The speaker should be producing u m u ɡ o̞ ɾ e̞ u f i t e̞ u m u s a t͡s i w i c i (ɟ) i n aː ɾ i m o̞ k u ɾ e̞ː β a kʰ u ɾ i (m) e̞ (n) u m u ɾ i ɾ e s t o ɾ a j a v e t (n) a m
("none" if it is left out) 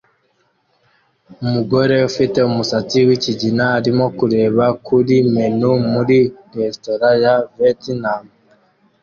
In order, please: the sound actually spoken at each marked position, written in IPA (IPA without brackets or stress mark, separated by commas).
ɟ, m, n, n